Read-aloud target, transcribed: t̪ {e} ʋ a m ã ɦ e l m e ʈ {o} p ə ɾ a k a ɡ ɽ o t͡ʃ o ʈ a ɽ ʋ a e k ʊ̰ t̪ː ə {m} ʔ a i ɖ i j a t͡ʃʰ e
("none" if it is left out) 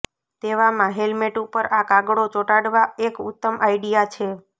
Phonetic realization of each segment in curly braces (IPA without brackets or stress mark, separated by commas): e, u, m